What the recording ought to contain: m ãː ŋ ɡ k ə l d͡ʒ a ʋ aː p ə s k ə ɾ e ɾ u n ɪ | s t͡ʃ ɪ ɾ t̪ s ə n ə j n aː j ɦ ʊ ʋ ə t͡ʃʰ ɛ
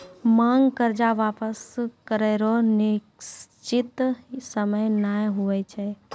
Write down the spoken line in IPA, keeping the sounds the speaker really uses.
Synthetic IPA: m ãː ŋ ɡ k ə ɾ d͡ʒ a ʋ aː p ə s k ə ɾ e ɾ o n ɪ | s t͡ʃ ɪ t̪ s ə m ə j n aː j ɦ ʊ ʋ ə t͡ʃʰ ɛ

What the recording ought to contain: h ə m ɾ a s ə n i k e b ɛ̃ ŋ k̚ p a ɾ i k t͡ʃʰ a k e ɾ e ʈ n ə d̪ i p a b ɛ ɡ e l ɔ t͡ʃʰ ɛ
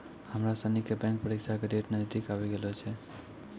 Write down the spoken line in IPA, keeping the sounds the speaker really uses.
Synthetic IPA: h ə m ɾ a s ə n i k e b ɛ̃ ŋ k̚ p ə ɾ i k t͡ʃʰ a k e ɾ e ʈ n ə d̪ i k a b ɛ ɡ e l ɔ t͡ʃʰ ɛ

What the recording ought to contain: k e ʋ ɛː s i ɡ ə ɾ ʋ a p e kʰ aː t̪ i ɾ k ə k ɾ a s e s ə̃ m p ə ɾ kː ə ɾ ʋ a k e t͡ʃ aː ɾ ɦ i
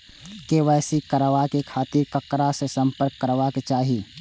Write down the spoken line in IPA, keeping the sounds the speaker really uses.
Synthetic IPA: k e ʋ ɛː s i k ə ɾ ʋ a k e kʰ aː t̪ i ɾ k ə k ɾ a s e s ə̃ m p ə ɾ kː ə ɾ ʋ a k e t͡ʃ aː ɦ i

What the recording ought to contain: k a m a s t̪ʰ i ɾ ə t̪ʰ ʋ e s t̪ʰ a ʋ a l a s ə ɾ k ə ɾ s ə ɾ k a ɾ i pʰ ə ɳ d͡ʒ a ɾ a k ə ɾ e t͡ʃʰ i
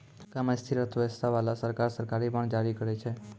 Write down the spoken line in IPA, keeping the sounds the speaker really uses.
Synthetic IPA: k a m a s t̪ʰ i ɾ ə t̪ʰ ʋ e s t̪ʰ a ʋ a l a s ə ɾ k a ɾ s ə ɾ k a ɾ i p ə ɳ d͡ʒ a ɾ i k ə ɾ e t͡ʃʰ e

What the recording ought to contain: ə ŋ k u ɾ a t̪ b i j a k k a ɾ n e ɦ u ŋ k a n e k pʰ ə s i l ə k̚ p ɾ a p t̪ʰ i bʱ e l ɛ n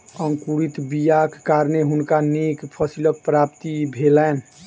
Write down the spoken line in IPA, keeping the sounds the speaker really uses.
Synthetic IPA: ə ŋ k u ɾ i t̪ b i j a k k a ɾ n e ɦ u n k a n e k pʰ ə s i l ə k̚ p ɾ a p t̪ i bʱ e l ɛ n

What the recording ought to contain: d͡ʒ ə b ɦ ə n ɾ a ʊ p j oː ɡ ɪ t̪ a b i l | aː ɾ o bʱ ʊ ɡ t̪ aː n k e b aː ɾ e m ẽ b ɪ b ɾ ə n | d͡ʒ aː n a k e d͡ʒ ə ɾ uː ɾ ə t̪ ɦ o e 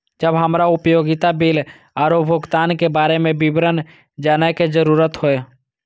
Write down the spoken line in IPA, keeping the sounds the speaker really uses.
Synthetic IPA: d͡ʒ ə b ɦ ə m ɾ a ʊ p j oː ɡ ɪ t̪ a b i l | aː ɾ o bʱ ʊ ɡ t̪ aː n k e b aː ɾ e m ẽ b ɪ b ɾ ə n | d͡ʒ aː n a k e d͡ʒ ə ɾ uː ɾ ə t̪ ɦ o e

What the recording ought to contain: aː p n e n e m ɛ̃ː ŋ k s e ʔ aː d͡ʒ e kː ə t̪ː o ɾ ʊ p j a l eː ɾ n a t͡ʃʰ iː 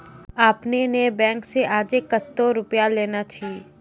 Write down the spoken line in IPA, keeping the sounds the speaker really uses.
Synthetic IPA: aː p n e n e b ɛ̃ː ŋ k s e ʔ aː d͡ʒ e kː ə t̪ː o ɾ ʊ p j a l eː n a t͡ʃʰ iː

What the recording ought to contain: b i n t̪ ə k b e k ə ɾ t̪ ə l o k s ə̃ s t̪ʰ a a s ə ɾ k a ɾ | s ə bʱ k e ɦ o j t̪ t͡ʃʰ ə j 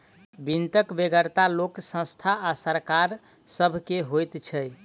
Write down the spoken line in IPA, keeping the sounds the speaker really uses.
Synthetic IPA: b i n t̪ ə k b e ɡ ə ɾ t̪ a l o k s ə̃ s t̪ʰ a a s ə ɾ k a ɾ | s ə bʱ k e ɦ o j t̪ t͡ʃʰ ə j

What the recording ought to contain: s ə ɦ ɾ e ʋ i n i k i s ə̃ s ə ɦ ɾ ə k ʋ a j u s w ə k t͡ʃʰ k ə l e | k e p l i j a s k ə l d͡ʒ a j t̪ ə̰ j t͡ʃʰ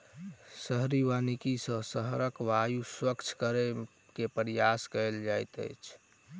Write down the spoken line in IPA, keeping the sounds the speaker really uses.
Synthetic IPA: s ə ɦ ɾ i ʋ a n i k i s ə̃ s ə ɦ ɾ ə k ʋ a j u s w ə k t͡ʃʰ k ə ɾ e | k e p ɾ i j a s k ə l d͡ʒ a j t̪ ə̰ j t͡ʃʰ

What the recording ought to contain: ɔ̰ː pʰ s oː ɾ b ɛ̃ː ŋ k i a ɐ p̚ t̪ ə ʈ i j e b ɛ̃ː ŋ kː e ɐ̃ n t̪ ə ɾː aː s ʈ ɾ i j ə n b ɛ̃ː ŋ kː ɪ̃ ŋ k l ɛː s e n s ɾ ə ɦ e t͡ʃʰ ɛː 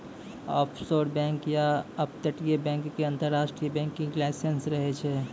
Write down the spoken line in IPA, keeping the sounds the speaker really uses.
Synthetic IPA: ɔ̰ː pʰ s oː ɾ b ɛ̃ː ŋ k j a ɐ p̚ t̪ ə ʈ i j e b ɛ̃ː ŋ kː e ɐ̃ n t̪ ə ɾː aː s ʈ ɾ i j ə b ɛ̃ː ŋ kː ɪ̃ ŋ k l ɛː s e n s ɾ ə ɦ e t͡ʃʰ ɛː

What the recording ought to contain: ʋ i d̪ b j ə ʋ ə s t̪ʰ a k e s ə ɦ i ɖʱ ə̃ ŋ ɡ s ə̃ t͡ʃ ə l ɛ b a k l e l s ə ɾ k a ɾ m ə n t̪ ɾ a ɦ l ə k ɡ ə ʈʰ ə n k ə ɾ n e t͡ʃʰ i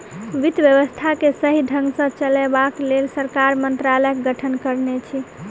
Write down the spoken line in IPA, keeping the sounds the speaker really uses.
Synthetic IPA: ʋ i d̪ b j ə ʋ ə s t̪ʰ a k e s ə ɦ i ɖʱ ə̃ ŋ ɡ s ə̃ t͡ʃ ə l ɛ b a k l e l s ə ɾ k a ɾ m ə n t̪ ɾ a l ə k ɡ ə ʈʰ ə n k ə ɾ n e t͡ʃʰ i

